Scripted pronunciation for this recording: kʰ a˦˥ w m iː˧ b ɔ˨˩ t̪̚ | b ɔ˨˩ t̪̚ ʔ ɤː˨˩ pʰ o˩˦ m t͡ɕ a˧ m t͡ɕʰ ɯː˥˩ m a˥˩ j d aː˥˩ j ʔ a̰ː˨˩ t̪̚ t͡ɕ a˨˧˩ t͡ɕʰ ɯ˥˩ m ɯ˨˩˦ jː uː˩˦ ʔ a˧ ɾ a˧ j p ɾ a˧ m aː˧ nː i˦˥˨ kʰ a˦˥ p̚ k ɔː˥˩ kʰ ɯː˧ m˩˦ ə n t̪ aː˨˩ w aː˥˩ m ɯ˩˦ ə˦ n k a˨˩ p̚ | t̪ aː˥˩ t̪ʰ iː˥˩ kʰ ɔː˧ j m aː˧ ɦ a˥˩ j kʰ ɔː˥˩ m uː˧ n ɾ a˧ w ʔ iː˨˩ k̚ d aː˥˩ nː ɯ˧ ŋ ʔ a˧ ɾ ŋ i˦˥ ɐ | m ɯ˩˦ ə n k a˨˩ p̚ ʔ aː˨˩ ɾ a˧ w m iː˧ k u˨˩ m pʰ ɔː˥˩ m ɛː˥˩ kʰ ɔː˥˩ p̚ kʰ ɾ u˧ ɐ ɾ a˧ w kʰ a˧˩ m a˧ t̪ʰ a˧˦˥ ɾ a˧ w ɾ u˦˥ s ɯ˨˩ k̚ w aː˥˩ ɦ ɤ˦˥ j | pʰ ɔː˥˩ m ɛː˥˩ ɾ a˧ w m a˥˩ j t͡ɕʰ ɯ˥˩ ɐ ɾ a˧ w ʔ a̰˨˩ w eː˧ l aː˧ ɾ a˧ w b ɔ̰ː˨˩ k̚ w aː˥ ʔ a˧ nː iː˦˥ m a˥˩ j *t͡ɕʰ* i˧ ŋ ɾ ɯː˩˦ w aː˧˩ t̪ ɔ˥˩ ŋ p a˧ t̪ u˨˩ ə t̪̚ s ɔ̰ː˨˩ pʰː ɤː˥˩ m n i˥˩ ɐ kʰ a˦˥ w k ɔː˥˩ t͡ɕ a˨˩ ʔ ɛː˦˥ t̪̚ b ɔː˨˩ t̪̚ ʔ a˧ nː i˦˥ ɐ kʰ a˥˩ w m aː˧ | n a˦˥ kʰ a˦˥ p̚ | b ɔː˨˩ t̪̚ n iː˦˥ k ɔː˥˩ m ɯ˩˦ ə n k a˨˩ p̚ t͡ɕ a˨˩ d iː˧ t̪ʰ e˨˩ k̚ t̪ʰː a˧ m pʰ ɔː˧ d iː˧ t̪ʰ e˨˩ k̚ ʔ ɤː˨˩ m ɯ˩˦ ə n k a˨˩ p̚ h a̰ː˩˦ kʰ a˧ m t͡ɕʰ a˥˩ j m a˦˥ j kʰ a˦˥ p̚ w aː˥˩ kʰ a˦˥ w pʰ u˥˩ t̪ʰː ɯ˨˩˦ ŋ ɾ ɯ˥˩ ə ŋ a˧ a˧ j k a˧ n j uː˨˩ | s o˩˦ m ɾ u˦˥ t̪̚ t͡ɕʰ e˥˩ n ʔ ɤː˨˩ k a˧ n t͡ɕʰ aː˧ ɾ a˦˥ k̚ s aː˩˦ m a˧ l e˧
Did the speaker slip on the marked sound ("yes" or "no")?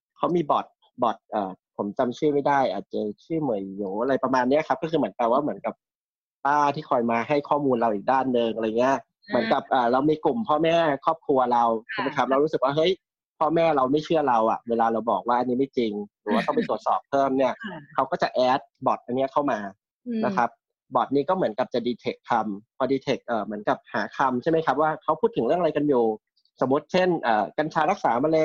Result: yes